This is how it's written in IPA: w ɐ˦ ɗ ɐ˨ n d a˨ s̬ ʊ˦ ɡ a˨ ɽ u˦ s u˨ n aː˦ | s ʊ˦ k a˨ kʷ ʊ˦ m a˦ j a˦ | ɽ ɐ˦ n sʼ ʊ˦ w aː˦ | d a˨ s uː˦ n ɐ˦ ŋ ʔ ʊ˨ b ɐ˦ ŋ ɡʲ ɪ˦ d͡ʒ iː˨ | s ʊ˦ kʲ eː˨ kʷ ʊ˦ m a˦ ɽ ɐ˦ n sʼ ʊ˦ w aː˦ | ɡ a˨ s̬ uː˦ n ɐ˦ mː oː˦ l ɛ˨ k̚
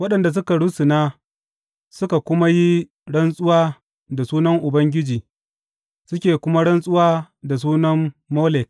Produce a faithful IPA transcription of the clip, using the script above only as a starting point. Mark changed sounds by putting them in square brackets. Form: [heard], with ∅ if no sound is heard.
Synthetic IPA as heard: w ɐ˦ ɗ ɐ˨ n d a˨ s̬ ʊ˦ [k] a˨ ɽ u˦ s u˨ n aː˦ | s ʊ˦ k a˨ kʷ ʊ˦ m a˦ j [i˦] | ɽ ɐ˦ n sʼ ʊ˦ w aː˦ | d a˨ s uː˦ n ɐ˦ ŋ ʔ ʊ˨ b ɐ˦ ŋ ɡʲ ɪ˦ d͡ʒ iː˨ | s ʊ˦ kʲ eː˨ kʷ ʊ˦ m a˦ ɽ ɐ˦ n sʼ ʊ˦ w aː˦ | [d] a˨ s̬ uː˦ n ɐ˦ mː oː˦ l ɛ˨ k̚